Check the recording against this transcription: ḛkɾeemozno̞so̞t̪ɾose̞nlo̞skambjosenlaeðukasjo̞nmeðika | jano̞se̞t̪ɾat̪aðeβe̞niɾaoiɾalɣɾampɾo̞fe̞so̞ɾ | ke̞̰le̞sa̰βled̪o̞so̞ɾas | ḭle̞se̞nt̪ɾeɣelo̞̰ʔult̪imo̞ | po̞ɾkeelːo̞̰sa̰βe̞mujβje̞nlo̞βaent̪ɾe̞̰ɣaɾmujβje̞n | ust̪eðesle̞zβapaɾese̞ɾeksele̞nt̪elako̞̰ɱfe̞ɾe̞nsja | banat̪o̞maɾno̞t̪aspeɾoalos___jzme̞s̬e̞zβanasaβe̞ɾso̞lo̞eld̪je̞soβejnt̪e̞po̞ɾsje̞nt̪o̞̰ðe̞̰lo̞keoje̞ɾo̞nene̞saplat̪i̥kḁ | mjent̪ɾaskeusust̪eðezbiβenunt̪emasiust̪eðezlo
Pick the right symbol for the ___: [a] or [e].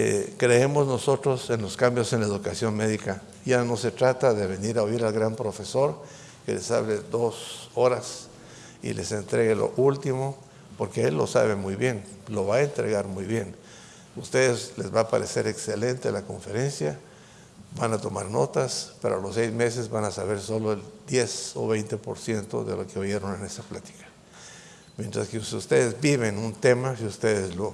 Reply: e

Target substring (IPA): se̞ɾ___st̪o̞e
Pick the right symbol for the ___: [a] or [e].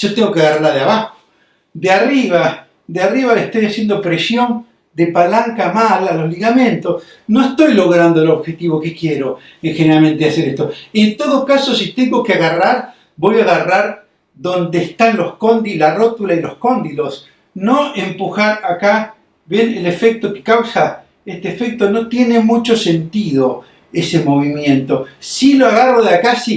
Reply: e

